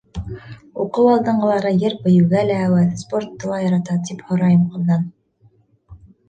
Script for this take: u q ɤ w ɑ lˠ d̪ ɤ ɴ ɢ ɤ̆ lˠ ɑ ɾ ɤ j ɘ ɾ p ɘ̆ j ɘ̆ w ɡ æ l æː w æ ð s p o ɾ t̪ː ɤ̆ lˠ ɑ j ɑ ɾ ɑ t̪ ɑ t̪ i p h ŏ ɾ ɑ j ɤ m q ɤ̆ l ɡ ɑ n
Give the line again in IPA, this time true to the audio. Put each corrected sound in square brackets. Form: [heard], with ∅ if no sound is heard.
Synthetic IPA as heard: u q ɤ w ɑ lˠ d̪ ɤ ɴ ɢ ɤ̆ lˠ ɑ ɾ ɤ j ɘ ɾ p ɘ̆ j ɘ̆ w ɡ æ l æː w æ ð s p o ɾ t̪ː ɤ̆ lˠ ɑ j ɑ ɾ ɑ t̪ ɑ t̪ i p h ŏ ɾ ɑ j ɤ m q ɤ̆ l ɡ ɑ n